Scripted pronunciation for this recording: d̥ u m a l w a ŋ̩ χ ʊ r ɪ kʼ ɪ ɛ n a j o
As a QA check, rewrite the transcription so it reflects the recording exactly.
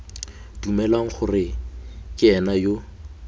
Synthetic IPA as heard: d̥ u m ɛ l w a ŋ̩ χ ʊ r ɪ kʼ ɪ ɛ n a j o